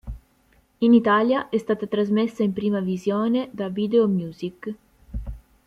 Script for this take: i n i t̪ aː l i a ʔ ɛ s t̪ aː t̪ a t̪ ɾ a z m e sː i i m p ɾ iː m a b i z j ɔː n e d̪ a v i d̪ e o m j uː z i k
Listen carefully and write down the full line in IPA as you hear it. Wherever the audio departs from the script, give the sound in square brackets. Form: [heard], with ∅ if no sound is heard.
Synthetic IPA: i n i t̪ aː l [j] a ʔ ɛ s t̪ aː t̪ a t̪ ɾ a z m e sː [a] i m p ɾ iː m a [v] i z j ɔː n e d̪ a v i d̪ e o m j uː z i k